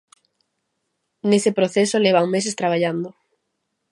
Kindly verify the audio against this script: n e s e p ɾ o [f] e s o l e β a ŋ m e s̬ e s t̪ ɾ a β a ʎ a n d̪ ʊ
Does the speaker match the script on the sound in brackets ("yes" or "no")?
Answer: no